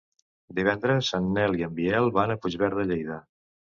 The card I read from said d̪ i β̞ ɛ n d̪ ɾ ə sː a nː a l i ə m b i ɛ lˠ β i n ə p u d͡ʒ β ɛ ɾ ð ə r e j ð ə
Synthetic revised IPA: d̪ i β̞ ɛ n d̪ ɾ ə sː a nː ɛ l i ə m b i ɛ lˠ β a n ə p u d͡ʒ β ɛ ɾ ð ə ʎ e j ð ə